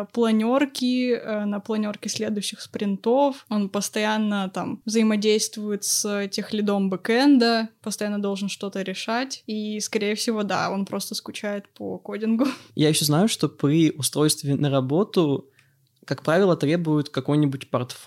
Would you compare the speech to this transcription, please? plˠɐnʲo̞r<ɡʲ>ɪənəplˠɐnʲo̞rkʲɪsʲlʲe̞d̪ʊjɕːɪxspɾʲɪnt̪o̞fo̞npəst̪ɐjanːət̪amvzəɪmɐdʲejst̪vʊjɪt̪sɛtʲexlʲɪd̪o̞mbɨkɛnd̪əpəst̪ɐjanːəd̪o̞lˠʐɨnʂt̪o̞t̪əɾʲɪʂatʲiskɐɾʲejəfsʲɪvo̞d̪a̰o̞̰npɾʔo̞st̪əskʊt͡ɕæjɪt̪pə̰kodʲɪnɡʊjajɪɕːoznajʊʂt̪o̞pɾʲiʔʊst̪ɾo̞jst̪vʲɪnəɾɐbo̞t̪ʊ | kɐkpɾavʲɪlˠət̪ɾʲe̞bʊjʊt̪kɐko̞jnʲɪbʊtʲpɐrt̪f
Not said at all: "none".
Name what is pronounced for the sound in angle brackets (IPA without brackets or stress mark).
kʲ